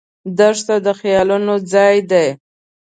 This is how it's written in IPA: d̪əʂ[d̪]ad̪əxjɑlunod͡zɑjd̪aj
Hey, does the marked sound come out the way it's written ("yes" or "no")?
no